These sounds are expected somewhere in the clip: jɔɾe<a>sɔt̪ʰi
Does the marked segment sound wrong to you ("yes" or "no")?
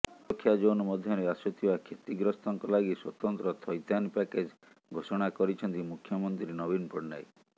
no